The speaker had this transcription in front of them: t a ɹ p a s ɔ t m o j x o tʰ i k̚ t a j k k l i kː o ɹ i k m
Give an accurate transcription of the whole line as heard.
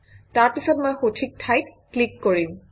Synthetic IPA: t a ɹ p i s ɔ t m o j x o tʰ i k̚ tʰ a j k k l i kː o ɹ i m